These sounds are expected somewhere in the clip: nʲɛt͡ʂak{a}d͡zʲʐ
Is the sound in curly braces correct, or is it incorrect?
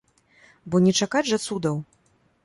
correct